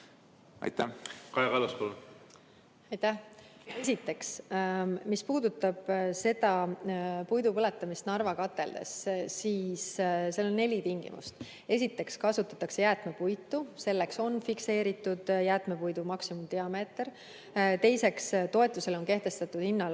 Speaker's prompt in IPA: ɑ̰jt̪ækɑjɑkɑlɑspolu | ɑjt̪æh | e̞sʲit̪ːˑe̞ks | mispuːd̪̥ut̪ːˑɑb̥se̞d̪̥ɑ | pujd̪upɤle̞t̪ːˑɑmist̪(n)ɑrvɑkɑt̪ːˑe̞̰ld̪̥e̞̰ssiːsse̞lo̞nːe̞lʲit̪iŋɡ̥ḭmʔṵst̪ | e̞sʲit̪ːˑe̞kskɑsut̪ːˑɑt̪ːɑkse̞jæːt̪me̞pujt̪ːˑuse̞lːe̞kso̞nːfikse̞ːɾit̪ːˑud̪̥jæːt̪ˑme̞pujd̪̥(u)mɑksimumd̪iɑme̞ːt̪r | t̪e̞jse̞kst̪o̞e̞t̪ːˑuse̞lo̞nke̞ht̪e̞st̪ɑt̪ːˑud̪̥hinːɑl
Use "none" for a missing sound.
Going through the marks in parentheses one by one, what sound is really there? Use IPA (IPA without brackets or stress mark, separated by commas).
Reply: n, u